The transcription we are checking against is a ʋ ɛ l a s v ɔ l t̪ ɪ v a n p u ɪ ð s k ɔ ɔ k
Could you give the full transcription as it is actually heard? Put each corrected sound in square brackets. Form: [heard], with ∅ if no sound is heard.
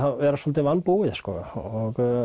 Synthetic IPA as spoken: a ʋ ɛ [ɾ] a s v ɔ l t̪ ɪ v a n p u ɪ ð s k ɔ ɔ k

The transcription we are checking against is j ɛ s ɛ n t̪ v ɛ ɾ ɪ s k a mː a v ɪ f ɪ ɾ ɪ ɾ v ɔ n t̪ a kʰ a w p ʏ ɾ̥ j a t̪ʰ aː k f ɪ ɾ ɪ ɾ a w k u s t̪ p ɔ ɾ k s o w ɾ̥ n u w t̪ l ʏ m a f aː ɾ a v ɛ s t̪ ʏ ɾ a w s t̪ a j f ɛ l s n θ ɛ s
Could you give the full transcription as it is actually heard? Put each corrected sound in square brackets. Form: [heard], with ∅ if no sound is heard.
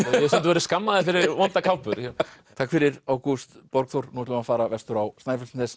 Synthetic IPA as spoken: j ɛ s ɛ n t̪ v ɛ ɾ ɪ s k a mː a [ð] ɪ f ɪ ɾ ɪ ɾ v ɔ n t̪ a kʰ a w p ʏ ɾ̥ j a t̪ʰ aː k f ɪ ɾ ɪ ɾ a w k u s t̪ p ɔ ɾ k [θ] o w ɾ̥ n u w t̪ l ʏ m a f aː ɾ a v ɛ s t̪ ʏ ɾ a w s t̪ a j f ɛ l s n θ ɛ s

